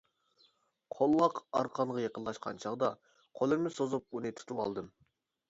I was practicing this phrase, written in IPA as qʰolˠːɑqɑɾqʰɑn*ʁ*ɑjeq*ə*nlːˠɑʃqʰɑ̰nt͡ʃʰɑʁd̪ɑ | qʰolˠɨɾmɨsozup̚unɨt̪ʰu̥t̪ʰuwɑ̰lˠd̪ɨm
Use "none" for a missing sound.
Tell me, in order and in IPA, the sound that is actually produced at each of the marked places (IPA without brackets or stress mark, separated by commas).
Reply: ʁ, ə